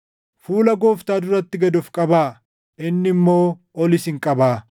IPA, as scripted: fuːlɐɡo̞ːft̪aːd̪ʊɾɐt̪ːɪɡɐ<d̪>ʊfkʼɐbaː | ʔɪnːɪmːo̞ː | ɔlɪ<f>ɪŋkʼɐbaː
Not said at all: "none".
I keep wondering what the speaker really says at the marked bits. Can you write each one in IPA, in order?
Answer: d̪, s

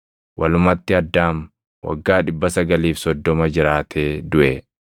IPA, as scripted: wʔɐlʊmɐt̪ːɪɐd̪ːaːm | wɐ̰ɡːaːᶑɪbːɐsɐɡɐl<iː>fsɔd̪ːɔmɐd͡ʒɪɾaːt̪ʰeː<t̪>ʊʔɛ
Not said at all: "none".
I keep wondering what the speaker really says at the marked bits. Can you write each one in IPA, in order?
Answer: iː, d̪

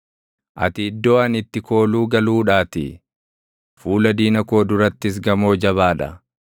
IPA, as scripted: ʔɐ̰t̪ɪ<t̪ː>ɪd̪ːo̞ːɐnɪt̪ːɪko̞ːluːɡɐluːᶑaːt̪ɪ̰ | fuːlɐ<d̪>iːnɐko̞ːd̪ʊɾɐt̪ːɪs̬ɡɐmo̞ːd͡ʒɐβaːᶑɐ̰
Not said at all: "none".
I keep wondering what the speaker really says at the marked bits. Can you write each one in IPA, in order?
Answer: none, d̪

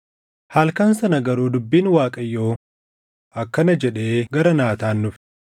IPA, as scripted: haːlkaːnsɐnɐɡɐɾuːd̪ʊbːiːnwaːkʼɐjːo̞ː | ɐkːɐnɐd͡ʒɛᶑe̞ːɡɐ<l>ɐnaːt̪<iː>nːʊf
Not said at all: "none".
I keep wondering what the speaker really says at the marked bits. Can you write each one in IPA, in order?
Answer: ɾ, aː

